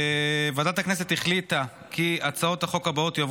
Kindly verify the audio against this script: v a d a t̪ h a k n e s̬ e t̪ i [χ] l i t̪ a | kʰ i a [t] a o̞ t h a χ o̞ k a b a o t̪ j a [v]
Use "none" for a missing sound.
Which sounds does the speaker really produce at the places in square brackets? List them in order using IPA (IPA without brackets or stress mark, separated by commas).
χ, t͡s, v